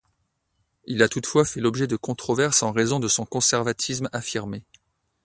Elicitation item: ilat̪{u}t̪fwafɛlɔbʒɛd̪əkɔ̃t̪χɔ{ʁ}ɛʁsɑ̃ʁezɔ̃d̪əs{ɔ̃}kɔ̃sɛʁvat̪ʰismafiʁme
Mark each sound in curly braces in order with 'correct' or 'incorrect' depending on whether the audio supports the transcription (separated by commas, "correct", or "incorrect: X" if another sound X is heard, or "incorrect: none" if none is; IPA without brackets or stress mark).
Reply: correct, incorrect: v, correct